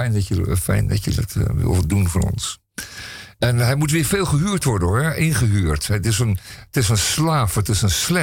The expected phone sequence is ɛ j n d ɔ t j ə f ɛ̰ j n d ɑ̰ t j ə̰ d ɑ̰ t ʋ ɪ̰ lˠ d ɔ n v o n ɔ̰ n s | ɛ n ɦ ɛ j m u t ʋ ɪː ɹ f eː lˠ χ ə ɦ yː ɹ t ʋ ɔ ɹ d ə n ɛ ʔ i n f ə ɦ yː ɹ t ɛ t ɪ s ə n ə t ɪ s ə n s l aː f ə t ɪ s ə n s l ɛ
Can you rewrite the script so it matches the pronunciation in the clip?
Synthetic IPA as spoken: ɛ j n d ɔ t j ə f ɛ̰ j n d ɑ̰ t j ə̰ d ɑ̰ t ʋ ɪ̰ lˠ d u n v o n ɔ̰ n s | ɛ n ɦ ɛ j m u t ʋ ɪː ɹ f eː lˠ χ ə ɦ yː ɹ t ʋ ɔ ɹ d ə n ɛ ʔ ɪ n χ ə ɦ yː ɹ t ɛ t ɪ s ə n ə t ɪ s ə n s l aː f ə t ɪ s ə n s l ɛ